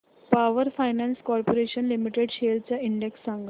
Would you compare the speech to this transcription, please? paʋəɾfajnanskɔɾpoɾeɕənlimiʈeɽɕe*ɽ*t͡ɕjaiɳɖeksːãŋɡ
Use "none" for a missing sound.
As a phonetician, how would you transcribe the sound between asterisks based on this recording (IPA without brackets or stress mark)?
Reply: l